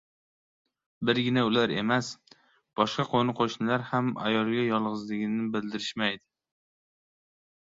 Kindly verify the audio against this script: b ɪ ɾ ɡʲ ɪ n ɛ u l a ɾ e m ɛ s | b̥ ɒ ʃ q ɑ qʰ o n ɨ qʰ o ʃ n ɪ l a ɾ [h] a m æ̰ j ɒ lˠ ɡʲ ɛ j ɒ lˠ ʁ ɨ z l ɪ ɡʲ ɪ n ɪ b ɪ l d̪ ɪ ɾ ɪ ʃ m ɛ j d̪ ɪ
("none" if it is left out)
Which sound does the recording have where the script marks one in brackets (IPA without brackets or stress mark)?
h